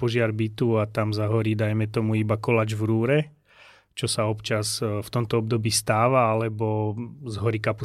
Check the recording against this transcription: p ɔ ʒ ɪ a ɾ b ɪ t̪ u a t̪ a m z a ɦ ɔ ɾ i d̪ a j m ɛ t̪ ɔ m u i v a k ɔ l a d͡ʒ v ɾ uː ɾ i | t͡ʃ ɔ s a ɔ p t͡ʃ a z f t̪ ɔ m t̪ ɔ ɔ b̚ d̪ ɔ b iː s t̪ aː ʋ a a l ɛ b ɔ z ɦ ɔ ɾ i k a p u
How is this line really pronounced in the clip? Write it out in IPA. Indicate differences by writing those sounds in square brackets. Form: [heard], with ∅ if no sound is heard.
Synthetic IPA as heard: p ɔ ʒ ɪ a ɾ b [i] t̪ u a t̪ a m z a ɦ ɔ ɾ i d̪ a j m ɛ t̪ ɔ m u i [b] a k ɔ l a d͡ʒ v ɾ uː ɾ [ɛ] | t͡ʃ ɔ s a ɔ p t͡ʃ a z f t̪ ɔ m t̪ ɔ ɔ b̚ d̪ ɔ b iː s t̪ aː ʋ a a l ɛ b ɔ z ɦ ɔ ɾ i k a p u